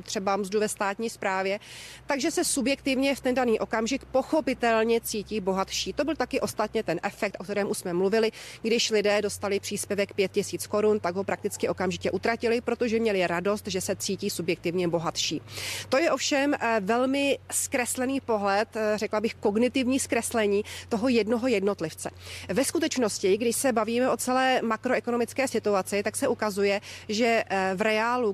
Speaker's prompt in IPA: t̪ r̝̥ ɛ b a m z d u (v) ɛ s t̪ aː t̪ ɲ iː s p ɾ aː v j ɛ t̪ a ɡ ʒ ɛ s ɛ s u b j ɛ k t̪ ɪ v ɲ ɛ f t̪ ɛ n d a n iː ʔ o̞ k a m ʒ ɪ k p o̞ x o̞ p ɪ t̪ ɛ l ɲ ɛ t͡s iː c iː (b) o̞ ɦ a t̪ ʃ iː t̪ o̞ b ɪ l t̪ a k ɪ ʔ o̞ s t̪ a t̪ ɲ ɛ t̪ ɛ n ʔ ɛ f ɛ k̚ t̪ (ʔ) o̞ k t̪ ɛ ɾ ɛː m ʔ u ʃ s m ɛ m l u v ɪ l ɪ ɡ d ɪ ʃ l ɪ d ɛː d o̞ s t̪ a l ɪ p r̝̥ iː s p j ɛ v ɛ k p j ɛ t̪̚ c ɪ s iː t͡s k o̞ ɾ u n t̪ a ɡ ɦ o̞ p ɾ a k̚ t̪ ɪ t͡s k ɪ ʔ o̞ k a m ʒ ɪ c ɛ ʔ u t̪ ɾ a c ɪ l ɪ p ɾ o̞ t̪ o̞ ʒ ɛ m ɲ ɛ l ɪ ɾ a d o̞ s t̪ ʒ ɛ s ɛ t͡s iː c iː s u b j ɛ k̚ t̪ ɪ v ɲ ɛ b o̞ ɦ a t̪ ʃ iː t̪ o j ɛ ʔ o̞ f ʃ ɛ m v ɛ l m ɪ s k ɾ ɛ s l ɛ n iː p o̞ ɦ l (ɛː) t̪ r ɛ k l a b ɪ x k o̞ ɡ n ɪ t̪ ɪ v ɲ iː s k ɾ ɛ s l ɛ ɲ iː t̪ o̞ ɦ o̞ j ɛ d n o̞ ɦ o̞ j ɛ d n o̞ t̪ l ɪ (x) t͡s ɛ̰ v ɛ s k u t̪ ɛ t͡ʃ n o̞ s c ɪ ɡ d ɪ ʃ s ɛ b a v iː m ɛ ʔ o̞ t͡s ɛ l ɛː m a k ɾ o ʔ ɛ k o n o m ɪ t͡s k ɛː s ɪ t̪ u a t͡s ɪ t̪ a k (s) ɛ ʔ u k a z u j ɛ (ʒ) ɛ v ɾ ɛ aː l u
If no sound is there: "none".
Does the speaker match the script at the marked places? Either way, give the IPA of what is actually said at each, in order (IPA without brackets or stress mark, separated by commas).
v, b, ʔ, ɛ, f, s, ʒ